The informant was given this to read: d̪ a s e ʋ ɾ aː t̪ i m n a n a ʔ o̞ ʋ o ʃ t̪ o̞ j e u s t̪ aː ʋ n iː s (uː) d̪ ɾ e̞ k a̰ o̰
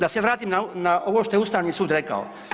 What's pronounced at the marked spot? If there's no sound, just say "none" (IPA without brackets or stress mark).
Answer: uː